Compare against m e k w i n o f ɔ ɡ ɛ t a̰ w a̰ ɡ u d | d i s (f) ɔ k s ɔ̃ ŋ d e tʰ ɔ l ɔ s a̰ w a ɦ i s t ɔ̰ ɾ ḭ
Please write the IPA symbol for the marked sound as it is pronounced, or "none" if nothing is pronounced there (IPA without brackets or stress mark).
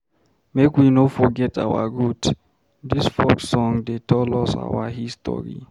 f